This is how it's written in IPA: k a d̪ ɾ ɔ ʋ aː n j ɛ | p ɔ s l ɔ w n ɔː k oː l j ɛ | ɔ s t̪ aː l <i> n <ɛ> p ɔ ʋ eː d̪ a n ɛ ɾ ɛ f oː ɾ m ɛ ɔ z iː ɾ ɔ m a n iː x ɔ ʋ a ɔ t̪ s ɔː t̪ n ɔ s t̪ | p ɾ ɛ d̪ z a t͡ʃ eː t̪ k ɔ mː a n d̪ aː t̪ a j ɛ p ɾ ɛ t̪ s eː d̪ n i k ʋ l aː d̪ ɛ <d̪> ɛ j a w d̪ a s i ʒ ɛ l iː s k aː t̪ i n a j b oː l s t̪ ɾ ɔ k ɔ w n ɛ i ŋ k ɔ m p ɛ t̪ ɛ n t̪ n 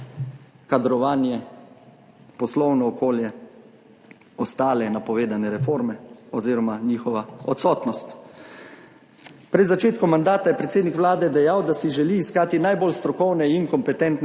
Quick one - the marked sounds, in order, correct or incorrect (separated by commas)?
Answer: incorrect, incorrect, correct